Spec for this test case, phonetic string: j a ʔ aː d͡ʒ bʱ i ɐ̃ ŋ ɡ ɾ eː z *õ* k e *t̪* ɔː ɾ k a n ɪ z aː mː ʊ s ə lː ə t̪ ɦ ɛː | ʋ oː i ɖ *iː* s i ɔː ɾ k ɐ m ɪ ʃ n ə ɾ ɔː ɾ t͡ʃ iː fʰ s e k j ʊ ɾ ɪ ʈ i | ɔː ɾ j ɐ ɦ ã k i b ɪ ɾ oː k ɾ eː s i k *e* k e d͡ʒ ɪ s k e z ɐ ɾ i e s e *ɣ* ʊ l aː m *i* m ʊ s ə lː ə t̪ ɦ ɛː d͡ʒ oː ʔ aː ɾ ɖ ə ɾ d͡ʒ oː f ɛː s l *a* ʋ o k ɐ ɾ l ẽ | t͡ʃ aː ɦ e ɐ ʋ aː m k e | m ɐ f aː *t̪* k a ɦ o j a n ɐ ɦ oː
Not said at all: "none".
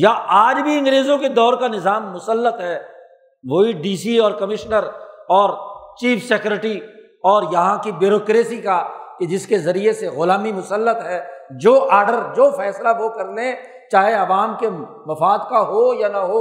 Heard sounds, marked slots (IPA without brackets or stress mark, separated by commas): õ, d̪, iː, a, ɣ, i, a, d̪